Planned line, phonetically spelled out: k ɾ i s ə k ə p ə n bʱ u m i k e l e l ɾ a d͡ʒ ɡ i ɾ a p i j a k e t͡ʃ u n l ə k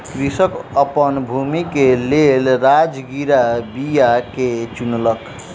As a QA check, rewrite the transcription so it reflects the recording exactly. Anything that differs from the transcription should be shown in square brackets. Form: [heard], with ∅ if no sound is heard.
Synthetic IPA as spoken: k ɾ i s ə k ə p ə n bʱ u m i k e l e l ɾ a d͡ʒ ɡ i ɾ a [b] i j a k e t͡ʃ u n l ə k